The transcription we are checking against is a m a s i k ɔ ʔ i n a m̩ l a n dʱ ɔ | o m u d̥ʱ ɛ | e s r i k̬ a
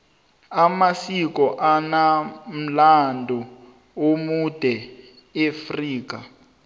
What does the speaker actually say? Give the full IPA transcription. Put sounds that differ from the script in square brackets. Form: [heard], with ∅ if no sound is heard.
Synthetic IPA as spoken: a m a s i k ɔ ʔ [a] n a m̩ l a n dʱ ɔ | o m u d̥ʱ ɛ | e [f] r [iː] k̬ a

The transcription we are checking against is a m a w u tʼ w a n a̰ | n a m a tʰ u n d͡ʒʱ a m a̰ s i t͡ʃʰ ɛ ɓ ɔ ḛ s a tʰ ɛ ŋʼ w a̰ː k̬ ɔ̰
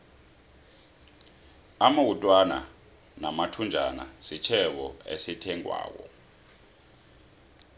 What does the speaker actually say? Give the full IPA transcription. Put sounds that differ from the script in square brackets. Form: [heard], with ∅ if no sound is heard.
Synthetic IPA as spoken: a m a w u tʼ w a n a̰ | n a m a tʰ u n d͡ʒʱ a [n] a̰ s i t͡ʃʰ ɛ ɓ ɔ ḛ s [i] tʰ ɛ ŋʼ w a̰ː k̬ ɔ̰

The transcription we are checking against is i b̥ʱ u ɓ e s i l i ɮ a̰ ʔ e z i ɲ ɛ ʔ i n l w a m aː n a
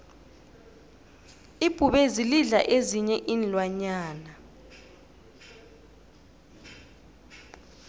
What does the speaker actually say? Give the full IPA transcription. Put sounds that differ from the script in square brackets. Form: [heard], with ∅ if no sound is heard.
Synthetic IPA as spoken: i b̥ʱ u ɓ e [z] i l i ɮ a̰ ʔ e z i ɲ ɛ ʔ i n l w a [ɲ] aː n a

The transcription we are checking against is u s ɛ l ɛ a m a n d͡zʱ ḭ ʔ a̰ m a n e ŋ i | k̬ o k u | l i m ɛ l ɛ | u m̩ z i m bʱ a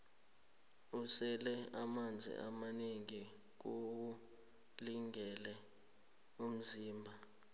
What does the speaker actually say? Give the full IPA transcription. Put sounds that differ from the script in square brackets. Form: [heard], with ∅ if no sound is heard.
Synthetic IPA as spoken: u s ɛ l ɛ a m a n d͡zʱ ḭ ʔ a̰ m a n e ŋ i | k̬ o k u | l i [ŋ] ɛ l ɛ | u m̩ z [iː] m bʱ a

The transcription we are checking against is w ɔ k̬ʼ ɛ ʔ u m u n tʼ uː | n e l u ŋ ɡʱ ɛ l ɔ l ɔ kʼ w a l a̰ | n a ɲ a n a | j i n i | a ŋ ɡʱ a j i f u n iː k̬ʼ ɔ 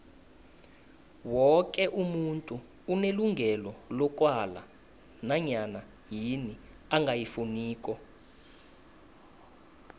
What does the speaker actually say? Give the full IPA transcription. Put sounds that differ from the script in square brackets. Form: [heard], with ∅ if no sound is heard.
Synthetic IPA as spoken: w ɔ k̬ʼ ɛ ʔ u m u n tʼ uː | n e l u ŋ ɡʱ ɛ l ɔ l ɔ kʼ w a l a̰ | n a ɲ a n a | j i n i | a ŋ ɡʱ a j i f u n iː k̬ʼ ɔ

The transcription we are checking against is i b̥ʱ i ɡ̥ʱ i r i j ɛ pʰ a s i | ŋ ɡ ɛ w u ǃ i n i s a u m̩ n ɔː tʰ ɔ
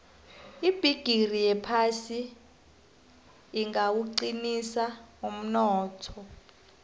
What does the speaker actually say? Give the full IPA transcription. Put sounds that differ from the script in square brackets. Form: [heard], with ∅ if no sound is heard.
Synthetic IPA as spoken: i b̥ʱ i ɡ̥ʱ i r i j ɛ pʰ a s i | ŋ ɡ [a] w u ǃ i n i s a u m̩ n ɔː tʰ ɔ

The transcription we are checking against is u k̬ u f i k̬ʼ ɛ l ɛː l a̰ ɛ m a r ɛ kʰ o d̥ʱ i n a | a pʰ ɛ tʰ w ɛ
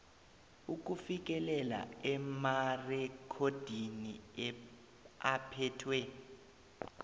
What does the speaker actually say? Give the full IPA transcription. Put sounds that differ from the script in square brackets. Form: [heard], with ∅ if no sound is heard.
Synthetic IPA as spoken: u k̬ u f i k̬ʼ ɛ l [ɛ] l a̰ ɛ m a r ɛ kʰ o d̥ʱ i n [i] | a pʰ ɛ tʰ w ɛ

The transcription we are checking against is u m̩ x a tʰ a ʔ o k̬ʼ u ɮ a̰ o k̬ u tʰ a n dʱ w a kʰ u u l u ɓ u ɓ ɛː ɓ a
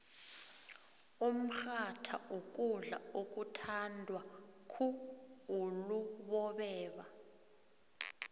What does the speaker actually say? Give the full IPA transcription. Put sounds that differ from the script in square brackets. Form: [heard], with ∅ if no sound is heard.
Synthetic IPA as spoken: u m̩ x a tʰ a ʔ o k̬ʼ u ɮ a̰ o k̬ u tʰ a n dʱ w a kʰ u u l u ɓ [ɔ] ɓ ɛː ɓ a

